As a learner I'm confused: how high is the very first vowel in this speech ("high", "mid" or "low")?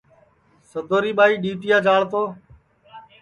mid